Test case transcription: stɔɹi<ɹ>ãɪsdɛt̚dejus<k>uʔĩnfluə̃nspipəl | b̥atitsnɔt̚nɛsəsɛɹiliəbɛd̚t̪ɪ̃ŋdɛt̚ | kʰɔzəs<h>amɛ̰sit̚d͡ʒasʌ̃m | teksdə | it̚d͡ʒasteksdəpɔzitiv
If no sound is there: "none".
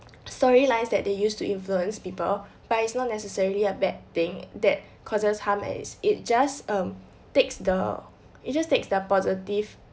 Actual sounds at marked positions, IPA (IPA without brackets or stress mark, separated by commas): l, t, h